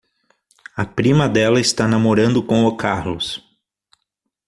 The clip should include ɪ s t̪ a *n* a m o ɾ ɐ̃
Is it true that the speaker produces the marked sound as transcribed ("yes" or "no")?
yes